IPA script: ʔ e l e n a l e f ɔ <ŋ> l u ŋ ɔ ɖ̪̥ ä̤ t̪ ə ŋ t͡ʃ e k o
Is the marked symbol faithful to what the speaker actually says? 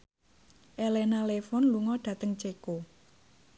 no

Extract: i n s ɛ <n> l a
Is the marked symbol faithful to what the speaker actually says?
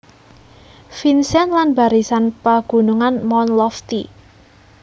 yes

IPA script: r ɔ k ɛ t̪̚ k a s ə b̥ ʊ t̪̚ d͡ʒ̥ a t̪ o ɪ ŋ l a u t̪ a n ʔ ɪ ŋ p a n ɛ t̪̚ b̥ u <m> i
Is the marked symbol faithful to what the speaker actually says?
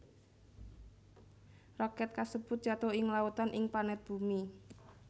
yes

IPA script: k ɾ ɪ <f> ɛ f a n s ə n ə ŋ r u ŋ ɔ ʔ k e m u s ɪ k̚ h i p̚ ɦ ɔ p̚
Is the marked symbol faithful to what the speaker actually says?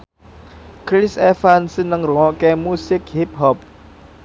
no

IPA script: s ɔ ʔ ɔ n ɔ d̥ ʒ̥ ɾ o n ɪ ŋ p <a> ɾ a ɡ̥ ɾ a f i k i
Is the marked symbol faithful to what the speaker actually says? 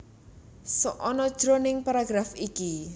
yes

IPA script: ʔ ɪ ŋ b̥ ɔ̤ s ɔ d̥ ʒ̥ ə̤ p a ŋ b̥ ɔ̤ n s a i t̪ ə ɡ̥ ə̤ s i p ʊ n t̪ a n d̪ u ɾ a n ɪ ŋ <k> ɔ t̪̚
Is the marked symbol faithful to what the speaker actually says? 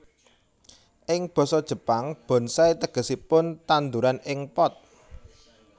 no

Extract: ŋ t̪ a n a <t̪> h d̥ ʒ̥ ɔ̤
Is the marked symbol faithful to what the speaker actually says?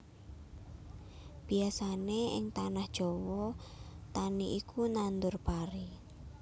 no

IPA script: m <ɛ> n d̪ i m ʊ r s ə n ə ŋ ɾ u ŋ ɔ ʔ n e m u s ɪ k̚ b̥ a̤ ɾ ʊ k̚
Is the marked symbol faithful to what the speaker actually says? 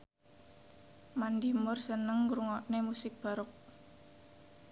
no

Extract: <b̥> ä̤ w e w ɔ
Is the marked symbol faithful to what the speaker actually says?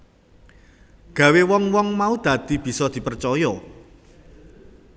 no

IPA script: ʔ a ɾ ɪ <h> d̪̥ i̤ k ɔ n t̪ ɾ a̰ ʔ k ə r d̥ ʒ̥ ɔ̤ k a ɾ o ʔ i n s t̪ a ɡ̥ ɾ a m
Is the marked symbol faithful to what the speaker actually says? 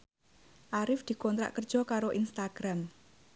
no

